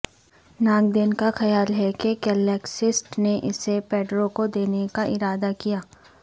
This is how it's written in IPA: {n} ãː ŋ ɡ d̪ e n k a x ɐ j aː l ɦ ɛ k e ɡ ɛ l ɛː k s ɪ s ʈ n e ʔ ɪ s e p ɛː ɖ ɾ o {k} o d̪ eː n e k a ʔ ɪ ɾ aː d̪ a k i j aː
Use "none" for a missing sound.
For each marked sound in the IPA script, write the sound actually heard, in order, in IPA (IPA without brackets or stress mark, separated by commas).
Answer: n, k